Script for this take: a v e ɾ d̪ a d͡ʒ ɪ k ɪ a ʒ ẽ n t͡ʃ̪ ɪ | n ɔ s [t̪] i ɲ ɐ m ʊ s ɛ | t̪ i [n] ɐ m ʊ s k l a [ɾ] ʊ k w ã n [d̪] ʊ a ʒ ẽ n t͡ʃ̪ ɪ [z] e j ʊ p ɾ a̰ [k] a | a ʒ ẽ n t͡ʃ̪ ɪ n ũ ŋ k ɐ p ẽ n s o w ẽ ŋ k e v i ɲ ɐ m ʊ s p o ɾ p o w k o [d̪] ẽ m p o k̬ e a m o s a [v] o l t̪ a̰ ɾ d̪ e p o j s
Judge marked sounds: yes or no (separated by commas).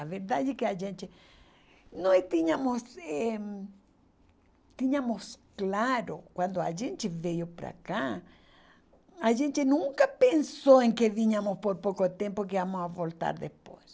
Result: yes, no, yes, yes, no, yes, no, yes